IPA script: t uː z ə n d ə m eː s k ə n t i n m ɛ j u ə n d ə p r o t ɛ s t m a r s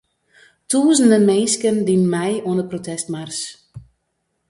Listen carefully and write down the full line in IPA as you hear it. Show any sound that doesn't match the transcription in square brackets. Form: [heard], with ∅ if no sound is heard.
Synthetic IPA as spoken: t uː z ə n d ə m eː s k ə n [d] i n m ɛ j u ə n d ə p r o t ɛ s t m a r s